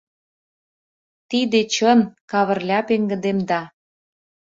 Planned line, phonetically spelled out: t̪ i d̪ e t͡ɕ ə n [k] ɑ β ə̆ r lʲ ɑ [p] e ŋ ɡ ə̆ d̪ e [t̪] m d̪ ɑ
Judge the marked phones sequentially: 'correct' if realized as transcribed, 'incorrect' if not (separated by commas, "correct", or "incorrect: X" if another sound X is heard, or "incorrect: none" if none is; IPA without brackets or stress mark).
correct, correct, incorrect: none